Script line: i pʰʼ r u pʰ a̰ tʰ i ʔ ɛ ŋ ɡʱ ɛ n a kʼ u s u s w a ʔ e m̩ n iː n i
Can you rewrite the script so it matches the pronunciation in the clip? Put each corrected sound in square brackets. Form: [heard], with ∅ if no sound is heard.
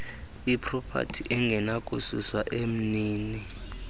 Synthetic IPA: i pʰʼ r [ɔ] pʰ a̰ tʰ i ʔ ɛ ŋ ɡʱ ɛ n a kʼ u s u s w a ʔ e m̩ n iː n i